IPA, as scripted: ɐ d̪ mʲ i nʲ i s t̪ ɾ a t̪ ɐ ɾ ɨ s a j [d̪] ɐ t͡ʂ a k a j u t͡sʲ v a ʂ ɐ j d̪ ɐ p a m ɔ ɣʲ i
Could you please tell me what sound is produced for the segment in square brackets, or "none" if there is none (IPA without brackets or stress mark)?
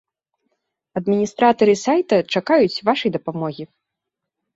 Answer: t̪